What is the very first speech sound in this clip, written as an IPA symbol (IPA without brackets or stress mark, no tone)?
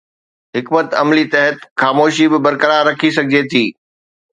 ɦ